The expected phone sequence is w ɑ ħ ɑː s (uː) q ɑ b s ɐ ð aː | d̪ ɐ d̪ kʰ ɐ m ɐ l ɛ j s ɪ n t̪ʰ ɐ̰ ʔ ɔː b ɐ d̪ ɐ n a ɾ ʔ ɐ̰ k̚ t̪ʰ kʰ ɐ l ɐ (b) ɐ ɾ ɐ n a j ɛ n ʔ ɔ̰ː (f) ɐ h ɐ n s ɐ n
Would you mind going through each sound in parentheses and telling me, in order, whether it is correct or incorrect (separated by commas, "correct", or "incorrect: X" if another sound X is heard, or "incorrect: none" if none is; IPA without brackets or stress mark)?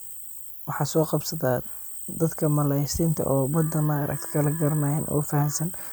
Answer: incorrect: ɔː, incorrect: ɡ, correct